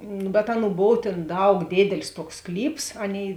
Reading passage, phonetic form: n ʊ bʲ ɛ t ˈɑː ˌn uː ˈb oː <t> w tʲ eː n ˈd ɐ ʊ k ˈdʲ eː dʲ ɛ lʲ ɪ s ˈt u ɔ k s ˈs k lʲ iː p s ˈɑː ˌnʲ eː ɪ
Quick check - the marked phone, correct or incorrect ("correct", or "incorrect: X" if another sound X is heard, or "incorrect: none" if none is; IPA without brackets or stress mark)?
incorrect: none